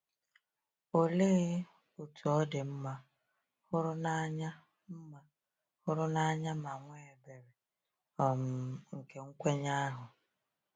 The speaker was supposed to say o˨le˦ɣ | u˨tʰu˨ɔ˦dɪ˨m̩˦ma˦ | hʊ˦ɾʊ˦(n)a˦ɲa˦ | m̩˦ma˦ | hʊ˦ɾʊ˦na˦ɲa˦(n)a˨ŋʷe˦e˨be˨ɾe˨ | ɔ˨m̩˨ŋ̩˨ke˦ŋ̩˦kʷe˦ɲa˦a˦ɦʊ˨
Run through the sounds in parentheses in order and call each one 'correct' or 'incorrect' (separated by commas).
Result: correct, incorrect